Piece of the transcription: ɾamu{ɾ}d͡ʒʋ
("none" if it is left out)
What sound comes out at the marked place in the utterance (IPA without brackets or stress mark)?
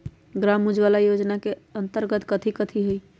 none